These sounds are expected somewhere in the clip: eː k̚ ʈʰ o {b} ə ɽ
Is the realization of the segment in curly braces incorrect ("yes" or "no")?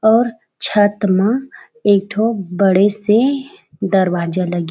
no